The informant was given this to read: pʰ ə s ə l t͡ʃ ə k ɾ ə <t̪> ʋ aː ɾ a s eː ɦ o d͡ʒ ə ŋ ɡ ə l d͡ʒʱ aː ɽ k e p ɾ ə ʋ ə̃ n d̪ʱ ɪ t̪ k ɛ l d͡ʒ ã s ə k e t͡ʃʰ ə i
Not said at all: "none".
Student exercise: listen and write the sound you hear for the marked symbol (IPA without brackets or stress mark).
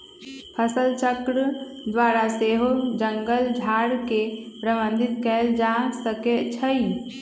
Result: d̪